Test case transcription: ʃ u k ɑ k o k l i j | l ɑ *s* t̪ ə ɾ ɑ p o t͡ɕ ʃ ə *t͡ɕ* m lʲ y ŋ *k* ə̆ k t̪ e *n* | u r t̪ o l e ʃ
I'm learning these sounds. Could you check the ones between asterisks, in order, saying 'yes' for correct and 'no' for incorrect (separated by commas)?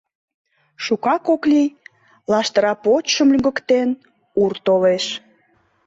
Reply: no, no, no, yes